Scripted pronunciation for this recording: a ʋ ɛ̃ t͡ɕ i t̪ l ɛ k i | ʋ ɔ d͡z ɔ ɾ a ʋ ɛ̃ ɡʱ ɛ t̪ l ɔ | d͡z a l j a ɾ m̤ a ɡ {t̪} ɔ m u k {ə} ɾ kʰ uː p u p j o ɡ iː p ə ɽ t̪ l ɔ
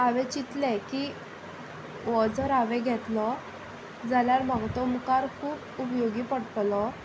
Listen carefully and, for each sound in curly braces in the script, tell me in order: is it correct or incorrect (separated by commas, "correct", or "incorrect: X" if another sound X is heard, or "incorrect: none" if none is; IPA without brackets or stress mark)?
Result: correct, incorrect: a